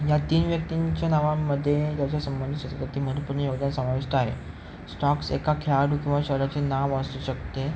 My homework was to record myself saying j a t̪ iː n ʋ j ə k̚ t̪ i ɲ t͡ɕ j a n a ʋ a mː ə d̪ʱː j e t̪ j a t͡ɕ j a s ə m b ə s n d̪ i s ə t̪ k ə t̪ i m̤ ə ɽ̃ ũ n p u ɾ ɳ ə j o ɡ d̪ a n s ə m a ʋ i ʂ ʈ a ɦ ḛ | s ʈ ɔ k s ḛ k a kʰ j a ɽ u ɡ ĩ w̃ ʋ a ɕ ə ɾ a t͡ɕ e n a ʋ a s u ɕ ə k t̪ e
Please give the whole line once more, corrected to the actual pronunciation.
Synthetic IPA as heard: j a t̪ iː n ʋ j ə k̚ t̪ i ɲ t͡ɕ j a n a ʋ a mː ə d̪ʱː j e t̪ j a t͡ɕ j a s ə m b ə n d̪ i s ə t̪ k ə t̪ i m̤ ə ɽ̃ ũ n p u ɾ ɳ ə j o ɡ d̪ a n s ə m a ʋ i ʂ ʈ a ɦ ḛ | s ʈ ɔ k s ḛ k a kʰ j a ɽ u k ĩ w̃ ʋ a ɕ ə ɾ a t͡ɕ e n a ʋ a s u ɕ ə k t̪ e